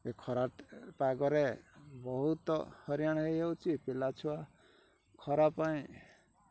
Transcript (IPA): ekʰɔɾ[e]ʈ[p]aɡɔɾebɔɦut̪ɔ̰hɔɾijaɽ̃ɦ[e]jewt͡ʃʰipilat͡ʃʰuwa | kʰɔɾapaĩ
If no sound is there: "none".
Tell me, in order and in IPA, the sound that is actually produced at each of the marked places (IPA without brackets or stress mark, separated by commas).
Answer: a, p, e